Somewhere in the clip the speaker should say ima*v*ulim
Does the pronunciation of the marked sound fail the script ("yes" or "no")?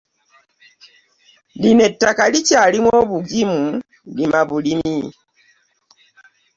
yes